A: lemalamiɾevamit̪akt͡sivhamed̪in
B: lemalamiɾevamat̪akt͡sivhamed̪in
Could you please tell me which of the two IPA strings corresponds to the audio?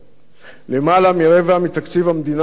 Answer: A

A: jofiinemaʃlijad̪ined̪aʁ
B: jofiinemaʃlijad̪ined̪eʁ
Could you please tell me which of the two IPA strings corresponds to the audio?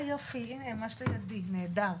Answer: A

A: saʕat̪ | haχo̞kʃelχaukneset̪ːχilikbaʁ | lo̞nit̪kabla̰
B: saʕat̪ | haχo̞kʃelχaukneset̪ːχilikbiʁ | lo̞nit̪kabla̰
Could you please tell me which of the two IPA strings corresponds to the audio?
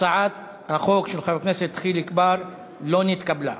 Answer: A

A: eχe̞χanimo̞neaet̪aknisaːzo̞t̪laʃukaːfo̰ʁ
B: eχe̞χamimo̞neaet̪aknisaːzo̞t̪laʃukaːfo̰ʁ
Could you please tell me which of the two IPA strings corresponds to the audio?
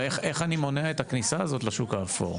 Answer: A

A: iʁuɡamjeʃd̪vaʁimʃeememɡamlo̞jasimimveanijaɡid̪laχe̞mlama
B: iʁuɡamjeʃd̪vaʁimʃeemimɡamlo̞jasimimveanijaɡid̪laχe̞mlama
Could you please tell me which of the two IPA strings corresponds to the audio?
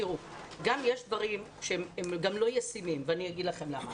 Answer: A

